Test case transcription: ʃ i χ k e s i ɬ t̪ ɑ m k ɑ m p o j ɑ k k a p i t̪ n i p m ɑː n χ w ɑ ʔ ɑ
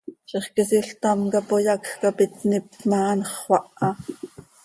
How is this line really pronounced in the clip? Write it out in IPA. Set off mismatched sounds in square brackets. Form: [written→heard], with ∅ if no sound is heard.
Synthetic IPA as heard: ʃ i χ k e s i ɬ t̪ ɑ m k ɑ [m→∅] p o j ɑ k k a p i t̪ n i p m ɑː n χ w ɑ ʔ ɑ